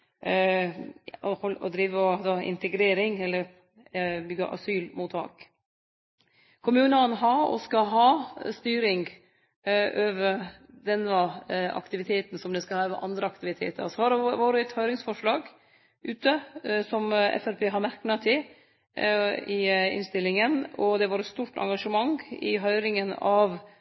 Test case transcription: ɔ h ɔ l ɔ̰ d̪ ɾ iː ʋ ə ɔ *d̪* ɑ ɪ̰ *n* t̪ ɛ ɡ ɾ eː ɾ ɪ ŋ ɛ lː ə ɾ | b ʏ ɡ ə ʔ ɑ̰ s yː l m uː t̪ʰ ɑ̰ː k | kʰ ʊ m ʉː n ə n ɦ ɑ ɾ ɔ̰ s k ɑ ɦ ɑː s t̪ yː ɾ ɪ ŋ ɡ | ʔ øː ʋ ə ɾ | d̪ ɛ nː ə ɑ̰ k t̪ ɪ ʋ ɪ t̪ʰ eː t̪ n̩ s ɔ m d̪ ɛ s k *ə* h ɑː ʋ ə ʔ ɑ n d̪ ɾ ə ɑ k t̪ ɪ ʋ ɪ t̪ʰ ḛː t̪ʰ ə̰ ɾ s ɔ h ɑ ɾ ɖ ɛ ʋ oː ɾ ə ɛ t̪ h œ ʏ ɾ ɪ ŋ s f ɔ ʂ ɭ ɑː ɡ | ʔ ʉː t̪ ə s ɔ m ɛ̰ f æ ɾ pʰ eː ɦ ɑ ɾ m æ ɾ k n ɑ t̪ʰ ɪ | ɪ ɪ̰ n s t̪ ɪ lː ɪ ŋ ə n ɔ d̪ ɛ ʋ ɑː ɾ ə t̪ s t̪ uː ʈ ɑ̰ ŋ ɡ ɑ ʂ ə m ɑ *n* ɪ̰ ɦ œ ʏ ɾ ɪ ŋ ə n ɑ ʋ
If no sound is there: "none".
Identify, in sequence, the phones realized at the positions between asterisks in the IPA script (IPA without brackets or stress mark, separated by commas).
d̪, n, ɑ, ŋ